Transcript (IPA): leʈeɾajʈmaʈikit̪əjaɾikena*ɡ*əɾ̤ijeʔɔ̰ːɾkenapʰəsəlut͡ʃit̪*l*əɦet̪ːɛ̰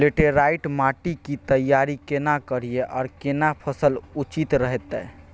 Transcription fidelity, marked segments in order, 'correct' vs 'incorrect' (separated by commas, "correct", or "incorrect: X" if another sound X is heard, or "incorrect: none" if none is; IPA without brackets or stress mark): incorrect: k, incorrect: ɾ